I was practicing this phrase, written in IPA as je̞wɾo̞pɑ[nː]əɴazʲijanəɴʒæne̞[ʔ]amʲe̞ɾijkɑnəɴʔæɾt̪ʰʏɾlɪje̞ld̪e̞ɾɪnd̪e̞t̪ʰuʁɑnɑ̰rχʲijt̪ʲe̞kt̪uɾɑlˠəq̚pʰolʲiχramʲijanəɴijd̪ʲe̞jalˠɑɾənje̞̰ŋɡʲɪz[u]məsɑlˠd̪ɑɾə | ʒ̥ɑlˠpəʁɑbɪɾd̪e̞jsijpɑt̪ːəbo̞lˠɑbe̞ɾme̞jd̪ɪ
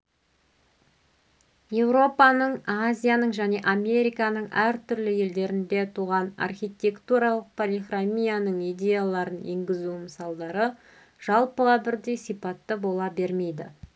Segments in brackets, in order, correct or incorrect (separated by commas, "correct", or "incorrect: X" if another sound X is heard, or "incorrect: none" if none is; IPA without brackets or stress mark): incorrect: n, correct, correct